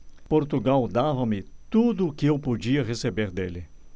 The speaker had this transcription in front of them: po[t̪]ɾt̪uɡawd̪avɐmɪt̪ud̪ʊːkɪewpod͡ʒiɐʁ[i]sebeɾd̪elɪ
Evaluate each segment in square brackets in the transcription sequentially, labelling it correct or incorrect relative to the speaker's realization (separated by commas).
incorrect, incorrect